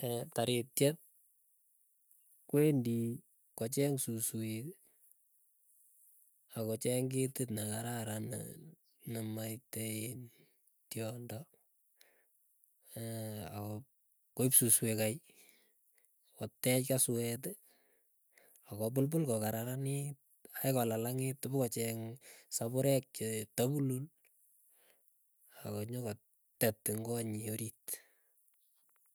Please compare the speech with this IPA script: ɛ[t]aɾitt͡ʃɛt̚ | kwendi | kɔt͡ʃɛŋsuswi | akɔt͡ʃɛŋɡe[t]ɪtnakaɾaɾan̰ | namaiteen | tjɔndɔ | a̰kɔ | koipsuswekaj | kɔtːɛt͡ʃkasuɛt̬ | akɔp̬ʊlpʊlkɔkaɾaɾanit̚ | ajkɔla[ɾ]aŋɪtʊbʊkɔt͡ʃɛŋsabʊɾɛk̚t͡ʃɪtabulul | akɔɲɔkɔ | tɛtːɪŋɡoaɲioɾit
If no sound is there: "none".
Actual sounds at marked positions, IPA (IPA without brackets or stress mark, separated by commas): t, t, l